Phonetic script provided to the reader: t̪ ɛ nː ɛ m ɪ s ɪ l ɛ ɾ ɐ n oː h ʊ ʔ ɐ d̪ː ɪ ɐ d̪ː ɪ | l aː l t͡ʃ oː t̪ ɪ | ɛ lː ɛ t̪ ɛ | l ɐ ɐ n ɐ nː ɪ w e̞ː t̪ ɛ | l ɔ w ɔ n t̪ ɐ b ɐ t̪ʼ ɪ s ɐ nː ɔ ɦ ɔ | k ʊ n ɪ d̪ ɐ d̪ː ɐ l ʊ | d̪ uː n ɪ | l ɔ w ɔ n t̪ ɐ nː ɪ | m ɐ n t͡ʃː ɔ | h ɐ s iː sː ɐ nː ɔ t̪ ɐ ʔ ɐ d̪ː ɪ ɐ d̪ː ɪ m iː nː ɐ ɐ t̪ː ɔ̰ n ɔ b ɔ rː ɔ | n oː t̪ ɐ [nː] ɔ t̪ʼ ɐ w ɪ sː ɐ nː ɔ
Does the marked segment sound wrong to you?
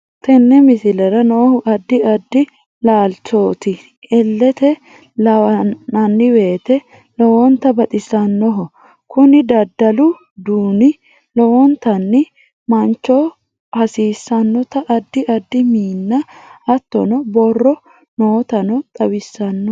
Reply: yes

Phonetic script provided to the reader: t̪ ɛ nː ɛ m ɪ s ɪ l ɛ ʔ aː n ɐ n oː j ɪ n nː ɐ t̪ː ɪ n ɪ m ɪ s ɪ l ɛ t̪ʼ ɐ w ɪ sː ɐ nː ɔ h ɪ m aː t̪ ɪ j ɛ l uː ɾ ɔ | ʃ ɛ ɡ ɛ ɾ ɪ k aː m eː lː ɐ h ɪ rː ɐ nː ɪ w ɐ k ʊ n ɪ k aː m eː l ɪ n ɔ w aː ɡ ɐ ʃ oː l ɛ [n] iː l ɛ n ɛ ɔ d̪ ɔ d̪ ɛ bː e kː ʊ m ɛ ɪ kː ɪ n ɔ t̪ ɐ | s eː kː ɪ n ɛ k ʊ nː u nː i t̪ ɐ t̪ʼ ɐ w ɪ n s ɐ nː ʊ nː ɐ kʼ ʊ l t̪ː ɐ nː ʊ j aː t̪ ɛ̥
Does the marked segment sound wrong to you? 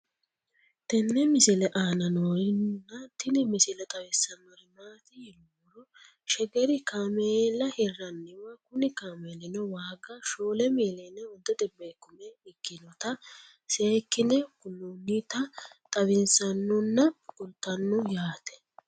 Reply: yes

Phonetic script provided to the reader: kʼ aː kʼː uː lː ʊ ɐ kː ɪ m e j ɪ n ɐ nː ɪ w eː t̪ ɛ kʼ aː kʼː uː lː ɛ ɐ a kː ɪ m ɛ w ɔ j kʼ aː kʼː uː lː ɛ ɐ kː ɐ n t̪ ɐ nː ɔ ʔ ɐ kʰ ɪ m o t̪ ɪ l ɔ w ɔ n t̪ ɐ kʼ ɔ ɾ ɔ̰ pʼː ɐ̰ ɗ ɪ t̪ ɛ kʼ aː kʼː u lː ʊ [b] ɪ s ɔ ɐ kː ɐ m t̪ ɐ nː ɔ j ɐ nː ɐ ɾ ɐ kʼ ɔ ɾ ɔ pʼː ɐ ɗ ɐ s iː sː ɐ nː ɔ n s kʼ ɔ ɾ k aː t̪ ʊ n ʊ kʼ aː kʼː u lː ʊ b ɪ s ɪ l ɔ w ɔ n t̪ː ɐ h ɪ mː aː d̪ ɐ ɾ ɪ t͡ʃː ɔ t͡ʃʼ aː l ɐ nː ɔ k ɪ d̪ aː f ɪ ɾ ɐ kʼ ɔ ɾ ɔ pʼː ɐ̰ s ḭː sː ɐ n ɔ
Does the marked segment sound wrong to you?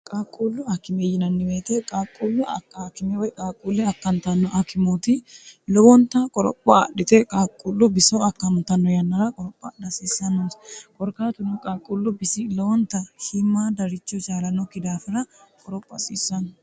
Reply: no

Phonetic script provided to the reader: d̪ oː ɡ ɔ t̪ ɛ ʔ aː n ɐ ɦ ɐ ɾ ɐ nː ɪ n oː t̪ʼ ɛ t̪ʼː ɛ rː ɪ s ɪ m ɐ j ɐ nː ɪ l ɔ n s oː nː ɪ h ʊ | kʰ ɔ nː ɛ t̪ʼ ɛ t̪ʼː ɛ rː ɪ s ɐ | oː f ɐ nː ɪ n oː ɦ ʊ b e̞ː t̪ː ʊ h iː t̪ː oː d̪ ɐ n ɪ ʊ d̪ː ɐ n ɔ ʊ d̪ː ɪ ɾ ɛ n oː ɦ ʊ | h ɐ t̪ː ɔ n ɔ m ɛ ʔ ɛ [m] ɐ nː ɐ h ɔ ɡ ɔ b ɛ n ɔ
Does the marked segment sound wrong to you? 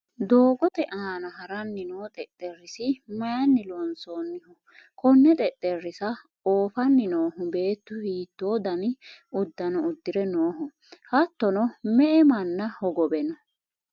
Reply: no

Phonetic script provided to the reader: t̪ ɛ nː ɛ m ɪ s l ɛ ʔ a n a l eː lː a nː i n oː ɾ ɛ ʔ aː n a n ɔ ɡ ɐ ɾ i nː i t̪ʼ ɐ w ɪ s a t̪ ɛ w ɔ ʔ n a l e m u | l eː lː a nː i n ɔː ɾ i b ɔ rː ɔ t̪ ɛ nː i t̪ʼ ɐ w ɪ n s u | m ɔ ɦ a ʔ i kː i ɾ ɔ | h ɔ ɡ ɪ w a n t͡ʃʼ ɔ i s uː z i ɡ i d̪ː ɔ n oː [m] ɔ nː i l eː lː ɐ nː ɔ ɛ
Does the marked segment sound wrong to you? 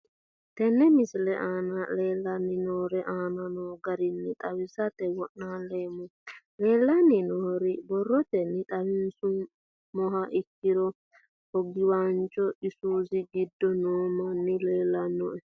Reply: no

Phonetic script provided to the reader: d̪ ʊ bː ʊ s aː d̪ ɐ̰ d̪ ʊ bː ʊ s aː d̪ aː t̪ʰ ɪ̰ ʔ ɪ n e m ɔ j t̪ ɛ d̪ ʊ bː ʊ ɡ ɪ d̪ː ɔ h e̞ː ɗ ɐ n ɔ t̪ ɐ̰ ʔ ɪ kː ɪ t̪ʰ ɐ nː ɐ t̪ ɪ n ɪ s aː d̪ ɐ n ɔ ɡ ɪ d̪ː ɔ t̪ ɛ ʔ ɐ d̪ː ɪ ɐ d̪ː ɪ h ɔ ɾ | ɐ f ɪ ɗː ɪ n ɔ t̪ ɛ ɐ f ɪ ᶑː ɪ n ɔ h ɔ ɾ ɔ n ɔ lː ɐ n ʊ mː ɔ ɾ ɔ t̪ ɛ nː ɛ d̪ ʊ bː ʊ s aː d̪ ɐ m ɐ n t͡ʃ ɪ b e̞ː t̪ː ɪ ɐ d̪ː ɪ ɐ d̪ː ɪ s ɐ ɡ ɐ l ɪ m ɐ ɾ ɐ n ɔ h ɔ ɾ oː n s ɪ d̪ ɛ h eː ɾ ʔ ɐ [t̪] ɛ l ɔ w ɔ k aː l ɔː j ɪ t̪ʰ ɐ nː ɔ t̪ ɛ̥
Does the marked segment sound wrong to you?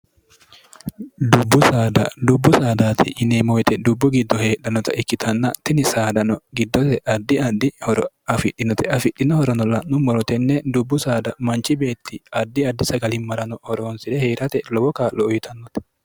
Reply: no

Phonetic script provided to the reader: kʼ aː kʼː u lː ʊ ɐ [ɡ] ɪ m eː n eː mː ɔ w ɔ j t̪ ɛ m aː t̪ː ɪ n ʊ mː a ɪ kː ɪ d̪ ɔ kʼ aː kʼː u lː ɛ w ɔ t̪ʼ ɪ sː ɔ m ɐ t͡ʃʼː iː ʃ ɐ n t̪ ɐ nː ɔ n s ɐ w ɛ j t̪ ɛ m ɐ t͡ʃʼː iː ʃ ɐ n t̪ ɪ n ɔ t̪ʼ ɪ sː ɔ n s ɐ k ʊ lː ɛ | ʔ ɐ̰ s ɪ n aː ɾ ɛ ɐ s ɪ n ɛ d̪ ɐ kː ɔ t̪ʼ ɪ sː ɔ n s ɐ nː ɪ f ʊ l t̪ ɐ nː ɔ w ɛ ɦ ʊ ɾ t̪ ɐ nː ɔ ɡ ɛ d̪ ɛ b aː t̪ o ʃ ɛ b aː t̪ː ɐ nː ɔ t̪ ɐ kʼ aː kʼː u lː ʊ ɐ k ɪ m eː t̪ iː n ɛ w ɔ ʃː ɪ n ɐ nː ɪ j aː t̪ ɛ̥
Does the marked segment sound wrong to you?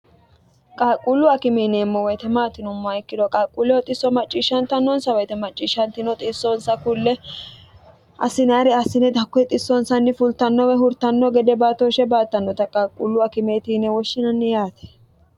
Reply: yes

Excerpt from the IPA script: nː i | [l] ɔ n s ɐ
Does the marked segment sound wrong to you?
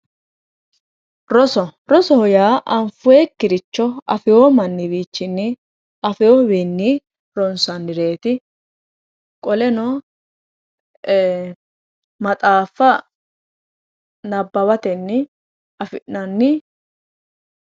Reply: yes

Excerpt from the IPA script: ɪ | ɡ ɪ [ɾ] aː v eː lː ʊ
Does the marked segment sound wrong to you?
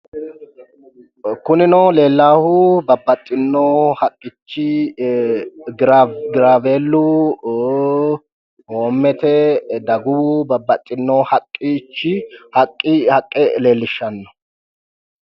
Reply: no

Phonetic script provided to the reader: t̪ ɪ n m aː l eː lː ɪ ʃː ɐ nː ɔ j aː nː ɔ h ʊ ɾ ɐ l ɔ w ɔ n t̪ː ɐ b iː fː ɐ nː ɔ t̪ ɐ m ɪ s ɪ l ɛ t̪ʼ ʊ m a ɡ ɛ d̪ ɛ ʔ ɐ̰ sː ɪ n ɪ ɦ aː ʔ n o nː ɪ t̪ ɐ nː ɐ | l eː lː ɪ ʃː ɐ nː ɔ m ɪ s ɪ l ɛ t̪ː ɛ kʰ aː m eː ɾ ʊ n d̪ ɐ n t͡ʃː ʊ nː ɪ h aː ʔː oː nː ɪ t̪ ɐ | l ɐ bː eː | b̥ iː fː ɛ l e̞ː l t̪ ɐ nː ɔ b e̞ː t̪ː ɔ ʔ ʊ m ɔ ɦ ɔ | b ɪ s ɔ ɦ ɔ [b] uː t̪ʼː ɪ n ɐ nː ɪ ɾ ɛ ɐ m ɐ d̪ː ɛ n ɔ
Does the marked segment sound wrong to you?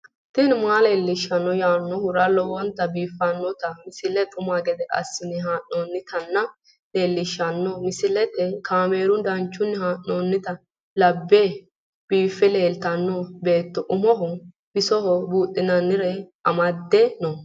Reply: no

